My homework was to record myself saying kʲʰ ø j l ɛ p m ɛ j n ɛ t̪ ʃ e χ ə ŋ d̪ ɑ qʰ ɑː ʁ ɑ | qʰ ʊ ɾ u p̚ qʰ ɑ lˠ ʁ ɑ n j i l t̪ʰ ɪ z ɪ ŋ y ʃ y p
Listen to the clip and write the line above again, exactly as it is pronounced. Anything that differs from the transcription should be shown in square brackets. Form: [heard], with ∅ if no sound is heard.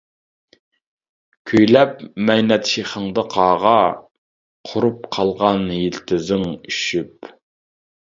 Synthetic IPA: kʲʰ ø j l ɛ p m ɛ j n ɛ t̪ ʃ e χ ə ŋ d̪ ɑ qʰ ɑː ʁ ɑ | qʰ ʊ ɾ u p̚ qʰ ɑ lˠ ʁ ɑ n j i l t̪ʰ ɪ z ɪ ŋ y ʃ y p